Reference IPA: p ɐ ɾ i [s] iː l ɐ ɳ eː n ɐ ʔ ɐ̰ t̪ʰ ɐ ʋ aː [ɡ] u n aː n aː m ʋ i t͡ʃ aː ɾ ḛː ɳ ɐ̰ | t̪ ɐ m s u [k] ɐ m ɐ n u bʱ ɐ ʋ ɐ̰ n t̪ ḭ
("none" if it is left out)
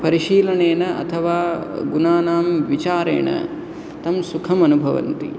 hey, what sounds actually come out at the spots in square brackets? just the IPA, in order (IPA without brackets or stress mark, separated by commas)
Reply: ʃ, ɡ, kʰ